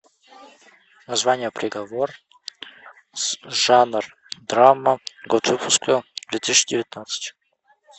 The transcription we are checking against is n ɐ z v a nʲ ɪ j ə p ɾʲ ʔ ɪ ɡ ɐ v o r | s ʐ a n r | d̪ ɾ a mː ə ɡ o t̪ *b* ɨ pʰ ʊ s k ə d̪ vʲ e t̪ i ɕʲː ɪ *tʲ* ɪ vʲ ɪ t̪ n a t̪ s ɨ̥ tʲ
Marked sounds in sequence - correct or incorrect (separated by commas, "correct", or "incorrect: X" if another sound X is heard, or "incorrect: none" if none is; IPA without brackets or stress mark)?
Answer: incorrect: v, incorrect: dʲ